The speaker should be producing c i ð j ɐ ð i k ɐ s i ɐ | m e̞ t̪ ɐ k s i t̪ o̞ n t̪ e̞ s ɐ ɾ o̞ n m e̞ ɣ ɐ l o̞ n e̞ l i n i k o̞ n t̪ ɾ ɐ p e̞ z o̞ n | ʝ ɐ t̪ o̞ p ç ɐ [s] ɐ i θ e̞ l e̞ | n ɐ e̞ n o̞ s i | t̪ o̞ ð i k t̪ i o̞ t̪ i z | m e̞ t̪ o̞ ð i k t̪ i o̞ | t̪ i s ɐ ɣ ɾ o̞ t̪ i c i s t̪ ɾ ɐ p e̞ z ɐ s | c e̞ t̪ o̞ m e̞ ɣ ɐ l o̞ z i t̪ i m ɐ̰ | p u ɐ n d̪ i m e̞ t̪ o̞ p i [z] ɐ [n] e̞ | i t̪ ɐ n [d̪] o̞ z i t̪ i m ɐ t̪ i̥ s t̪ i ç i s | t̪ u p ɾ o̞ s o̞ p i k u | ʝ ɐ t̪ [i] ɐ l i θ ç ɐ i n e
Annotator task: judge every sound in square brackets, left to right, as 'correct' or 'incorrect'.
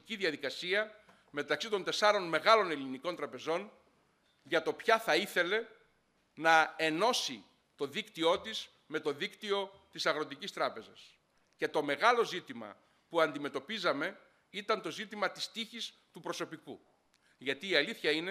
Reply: incorrect: θ, correct, incorrect: m, incorrect: t̪, incorrect: iː

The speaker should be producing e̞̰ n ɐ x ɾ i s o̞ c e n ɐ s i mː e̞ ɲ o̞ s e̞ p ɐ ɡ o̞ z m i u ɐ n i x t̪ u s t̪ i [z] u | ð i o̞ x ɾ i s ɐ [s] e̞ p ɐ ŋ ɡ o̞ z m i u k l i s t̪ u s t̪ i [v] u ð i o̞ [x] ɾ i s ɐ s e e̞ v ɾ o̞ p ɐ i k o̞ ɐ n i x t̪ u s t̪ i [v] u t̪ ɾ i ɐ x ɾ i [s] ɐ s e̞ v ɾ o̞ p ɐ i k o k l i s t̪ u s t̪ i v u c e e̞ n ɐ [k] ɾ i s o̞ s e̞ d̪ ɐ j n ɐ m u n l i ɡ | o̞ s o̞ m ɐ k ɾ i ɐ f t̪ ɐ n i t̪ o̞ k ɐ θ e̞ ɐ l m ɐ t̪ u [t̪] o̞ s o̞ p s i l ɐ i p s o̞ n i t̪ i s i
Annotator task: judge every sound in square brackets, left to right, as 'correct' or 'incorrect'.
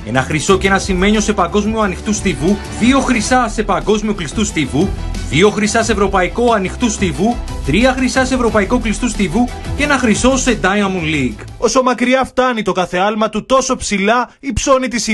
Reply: incorrect: v, correct, correct, correct, correct, correct, incorrect: x, correct

